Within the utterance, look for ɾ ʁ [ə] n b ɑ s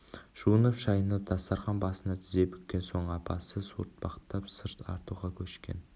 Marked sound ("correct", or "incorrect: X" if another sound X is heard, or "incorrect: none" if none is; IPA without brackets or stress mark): incorrect: ɑ